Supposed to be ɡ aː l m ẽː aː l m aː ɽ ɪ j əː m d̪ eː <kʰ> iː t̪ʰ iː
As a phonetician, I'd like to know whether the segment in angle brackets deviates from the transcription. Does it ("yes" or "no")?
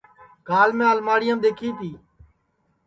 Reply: no